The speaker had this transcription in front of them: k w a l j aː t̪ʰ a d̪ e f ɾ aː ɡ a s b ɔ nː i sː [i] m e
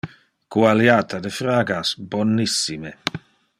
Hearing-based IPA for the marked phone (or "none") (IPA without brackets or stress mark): i